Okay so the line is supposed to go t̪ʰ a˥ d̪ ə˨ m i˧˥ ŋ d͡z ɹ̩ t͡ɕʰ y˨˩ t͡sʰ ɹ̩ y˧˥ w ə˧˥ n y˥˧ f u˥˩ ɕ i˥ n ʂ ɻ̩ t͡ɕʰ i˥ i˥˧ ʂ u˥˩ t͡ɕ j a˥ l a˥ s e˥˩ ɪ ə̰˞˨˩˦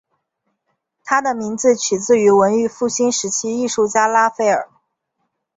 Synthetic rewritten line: t̪ʰ a˥ d̪ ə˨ m i˧˥ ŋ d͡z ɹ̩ t͡ɕʰ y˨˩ t͡s ɹ̩ y˧˥ w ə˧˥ n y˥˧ f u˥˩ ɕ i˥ n ʂ ɻ̩ t͡ɕʰ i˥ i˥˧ ʂ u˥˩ t͡ɕ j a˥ l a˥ f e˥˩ ɪ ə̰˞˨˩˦